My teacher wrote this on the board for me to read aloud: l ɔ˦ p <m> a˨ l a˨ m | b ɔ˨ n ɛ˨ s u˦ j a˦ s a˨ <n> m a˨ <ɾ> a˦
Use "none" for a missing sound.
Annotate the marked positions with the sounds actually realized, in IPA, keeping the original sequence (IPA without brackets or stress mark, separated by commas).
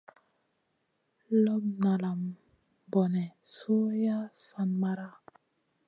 n, n, ɾ